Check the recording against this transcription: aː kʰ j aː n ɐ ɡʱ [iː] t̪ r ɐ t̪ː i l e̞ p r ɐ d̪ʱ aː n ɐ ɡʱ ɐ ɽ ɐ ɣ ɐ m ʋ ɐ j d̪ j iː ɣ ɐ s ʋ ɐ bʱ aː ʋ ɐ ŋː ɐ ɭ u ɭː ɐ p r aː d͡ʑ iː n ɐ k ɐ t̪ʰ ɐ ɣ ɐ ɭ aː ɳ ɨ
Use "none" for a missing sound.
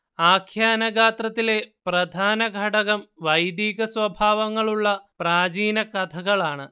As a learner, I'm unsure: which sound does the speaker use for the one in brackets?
aː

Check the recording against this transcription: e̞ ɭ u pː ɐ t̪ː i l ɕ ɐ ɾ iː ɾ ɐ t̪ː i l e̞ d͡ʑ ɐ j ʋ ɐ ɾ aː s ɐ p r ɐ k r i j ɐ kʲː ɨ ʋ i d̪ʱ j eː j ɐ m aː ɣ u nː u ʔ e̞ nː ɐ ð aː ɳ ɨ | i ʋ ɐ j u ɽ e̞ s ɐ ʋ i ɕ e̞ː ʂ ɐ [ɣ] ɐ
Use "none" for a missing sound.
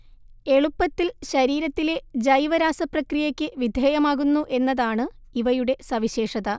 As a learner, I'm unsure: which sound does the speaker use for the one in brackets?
ð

